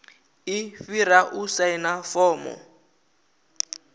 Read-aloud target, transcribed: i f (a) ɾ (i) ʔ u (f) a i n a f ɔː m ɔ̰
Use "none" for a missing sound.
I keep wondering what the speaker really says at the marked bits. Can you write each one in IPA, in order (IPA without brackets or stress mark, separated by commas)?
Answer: i, a, s